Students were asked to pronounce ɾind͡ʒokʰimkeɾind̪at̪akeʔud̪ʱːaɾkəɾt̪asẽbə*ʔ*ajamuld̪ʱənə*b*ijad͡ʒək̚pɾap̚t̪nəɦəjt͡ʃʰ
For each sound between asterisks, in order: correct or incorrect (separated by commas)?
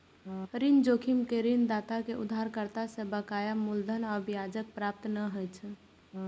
incorrect, correct